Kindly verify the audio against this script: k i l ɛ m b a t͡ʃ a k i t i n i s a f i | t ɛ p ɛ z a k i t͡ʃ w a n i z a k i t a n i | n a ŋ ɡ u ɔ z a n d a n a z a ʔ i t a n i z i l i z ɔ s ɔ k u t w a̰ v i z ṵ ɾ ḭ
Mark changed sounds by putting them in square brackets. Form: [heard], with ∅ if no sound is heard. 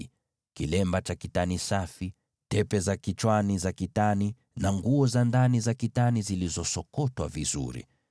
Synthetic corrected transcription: k i l ɛ m b a t͡ʃ a k i t [a] n i s a f i | t ɛ p ɛ z a k i t͡ʃ w a n i z a k i t a n i | n a ŋ ɡ u ɔ z a n d a n [i] z a [k] i t a n i z i l i z ɔ s ɔ k [ɔ] t w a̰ v i z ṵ ɾ ḭ